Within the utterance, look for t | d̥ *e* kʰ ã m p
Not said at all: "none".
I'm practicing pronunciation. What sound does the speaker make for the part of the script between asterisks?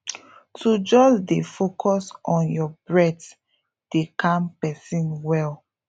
e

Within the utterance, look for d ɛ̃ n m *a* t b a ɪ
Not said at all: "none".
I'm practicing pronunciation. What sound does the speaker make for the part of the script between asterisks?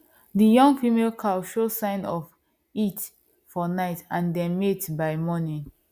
e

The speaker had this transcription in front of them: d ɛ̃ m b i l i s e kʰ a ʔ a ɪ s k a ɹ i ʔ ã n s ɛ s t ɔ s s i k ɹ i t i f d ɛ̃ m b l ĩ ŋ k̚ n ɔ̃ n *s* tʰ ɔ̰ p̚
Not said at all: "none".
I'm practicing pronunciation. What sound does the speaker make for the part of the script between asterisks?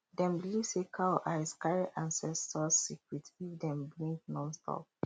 s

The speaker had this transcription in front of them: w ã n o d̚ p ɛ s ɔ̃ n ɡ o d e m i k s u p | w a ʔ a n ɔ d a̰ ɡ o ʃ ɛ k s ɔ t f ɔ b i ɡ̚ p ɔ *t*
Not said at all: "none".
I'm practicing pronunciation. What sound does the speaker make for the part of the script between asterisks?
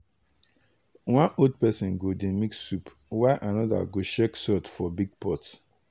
t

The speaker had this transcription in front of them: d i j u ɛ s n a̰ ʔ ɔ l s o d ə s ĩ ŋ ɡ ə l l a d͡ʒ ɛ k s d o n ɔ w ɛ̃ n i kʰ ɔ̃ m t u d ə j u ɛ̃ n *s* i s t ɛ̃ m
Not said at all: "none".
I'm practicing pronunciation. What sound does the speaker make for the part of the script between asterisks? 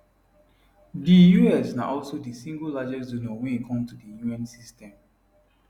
s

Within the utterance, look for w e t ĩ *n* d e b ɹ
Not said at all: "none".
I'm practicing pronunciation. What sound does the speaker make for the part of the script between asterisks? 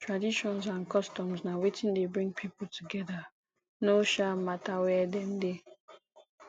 n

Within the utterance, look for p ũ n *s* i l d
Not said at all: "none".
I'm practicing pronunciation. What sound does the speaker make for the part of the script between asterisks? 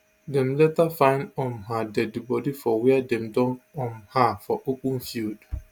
f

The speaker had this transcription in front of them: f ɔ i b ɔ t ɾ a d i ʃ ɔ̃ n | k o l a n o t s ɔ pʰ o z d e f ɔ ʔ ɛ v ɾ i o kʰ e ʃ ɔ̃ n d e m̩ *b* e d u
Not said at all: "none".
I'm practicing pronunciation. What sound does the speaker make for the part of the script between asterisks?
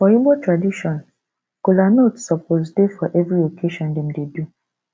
d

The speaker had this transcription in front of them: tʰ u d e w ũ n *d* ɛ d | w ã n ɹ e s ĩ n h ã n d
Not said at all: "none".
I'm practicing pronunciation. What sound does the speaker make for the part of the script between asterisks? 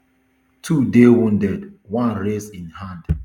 d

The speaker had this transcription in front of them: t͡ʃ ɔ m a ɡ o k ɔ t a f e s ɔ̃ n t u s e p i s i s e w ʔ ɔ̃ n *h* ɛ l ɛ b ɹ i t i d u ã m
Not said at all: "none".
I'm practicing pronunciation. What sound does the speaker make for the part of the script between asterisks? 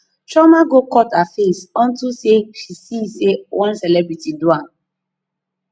s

